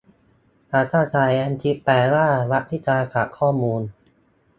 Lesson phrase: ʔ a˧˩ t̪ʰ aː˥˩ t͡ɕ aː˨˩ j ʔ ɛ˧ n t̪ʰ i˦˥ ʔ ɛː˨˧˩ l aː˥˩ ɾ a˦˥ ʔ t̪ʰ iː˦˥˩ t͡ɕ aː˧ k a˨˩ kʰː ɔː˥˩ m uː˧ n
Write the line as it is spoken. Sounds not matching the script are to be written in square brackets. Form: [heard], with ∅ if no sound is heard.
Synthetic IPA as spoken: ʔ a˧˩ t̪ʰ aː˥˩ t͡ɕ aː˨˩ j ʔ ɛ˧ n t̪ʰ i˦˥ [p] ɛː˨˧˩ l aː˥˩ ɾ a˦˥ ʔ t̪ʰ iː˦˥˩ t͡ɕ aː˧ k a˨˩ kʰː ɔː˥˩ m uː˧ n